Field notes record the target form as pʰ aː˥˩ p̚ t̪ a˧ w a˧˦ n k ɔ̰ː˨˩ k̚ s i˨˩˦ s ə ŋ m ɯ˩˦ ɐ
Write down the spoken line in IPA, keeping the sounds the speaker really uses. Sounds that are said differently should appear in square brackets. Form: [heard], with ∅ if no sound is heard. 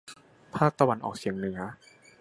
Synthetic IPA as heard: pʰ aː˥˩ [k̚] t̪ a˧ w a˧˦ n [ʔ] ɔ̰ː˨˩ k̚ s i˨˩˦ [∅] ə ŋ [n] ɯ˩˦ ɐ